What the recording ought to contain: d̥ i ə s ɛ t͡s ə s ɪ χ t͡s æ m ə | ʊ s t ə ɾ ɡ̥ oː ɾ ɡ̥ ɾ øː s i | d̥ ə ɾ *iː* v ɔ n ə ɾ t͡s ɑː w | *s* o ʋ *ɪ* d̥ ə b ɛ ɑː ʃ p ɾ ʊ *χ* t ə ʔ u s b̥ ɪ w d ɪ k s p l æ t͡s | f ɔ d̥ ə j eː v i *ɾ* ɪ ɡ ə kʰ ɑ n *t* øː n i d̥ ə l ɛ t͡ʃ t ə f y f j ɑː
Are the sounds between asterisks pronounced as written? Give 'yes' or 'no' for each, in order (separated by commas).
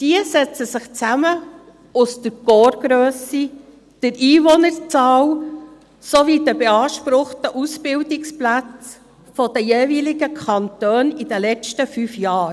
yes, yes, no, yes, no, yes